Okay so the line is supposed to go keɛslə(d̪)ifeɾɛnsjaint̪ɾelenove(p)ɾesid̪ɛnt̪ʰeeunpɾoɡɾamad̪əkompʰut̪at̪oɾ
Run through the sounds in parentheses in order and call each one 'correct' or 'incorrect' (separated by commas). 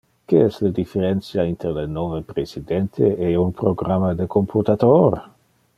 correct, correct